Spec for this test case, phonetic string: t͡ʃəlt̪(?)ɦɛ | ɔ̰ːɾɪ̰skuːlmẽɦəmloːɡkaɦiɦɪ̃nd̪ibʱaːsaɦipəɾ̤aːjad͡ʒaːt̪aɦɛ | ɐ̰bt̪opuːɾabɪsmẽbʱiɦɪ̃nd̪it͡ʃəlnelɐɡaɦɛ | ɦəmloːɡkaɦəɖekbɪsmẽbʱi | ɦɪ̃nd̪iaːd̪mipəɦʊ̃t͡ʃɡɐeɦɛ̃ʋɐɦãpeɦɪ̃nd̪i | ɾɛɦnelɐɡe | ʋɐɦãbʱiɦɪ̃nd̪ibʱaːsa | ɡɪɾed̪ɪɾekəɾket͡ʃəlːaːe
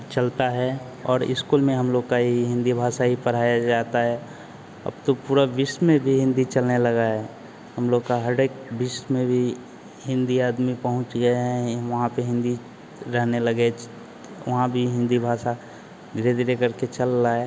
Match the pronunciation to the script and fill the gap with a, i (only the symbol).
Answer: a